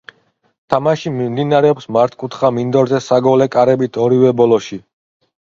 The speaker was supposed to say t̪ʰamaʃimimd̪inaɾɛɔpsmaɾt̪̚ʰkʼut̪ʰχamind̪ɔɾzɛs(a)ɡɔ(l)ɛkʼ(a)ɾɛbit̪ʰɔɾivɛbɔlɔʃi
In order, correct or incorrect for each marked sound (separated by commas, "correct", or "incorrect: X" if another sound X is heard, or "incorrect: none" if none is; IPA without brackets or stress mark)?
correct, correct, correct